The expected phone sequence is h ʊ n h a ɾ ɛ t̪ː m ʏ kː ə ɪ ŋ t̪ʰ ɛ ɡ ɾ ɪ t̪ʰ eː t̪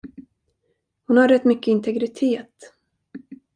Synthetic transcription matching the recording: h ʊ n h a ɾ ɛ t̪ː m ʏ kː ə ɪ n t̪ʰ ɛ ɡ ɾ ɪ t̪ʰ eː t̪